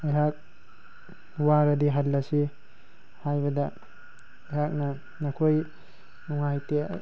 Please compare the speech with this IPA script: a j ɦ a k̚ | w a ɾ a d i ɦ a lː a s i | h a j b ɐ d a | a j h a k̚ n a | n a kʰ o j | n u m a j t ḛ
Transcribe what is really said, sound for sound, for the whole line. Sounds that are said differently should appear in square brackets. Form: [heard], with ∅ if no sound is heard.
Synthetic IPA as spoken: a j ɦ a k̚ | w a ɾ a d i ɦ a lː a s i | h a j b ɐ d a | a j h a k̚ n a | n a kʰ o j | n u [ŋ] a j t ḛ